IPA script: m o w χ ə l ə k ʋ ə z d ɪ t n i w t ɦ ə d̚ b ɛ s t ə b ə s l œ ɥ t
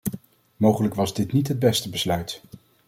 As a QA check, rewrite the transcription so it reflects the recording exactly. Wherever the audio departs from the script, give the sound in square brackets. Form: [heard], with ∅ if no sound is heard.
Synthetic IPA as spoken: m o w χ ə l ə k ʋ [ɑ] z d ɪ t n i [∅] t ɦ ə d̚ b ɛ s t ə b ə s l œ ɥ t